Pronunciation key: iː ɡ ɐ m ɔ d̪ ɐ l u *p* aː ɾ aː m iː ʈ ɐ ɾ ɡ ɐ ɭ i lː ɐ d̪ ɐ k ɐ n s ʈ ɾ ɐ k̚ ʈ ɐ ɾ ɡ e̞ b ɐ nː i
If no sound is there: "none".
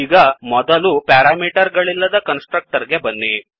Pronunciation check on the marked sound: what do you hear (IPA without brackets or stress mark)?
p